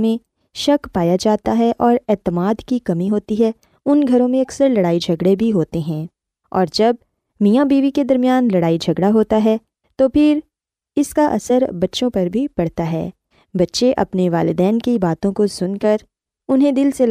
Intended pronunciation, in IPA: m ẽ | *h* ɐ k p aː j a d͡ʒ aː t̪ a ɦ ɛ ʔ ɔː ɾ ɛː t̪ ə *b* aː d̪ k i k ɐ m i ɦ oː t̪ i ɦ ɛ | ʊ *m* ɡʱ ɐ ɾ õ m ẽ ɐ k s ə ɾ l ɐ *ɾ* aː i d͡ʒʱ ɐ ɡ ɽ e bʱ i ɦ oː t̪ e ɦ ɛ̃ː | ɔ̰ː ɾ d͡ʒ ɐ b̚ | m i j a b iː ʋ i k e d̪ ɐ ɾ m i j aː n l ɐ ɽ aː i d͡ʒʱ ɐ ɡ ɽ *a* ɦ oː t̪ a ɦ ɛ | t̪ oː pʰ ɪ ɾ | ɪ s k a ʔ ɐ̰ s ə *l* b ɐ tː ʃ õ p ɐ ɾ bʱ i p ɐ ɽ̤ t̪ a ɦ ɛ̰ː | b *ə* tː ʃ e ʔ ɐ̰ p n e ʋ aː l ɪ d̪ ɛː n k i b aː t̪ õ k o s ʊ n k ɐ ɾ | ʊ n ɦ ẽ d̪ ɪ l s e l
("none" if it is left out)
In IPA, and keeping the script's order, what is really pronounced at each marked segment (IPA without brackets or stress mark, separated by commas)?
ʃ, m, n, ɽ, a, ɾ, ɐ